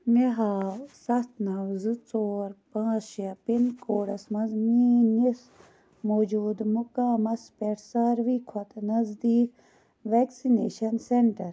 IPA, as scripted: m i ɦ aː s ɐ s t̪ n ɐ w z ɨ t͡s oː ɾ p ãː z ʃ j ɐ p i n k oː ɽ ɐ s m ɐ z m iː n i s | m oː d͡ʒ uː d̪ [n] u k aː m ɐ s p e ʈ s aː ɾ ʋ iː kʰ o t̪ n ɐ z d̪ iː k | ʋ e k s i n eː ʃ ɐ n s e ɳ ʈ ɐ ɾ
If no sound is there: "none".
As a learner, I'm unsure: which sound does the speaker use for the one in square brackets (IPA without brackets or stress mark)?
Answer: m